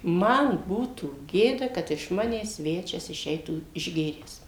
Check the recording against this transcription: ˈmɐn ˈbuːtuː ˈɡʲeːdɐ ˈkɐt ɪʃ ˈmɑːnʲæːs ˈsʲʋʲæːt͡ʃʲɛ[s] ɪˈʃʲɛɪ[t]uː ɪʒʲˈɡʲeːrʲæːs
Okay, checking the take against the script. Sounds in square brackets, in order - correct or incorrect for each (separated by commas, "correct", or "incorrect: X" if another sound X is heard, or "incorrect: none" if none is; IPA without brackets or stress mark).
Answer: correct, correct